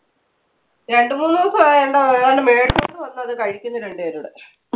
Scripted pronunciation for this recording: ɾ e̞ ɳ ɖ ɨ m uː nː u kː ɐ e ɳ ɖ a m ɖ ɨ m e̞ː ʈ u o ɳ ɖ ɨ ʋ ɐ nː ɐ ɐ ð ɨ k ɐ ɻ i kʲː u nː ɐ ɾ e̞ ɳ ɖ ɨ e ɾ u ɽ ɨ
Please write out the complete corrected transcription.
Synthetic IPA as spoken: ɾ e̞ ɳ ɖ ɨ m uː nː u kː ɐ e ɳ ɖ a ɳ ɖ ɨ m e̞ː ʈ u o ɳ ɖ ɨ ʋ ɐ nː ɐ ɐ ð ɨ k ɐ ɻ i kʲː u nː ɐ ɾ e̞ ɳ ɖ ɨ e ɾ u ɽ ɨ